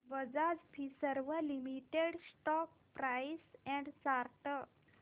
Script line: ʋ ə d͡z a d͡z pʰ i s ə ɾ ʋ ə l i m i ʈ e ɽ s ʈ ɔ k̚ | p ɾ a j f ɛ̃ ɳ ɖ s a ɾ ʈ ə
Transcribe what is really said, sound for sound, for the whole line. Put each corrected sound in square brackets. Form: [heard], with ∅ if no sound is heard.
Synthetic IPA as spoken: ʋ ə d͡z a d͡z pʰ i s ə ɾ ʋ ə l i m i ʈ e ɽ s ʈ ɔ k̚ | p ɾ a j [s] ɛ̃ ɳ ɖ s a ɾ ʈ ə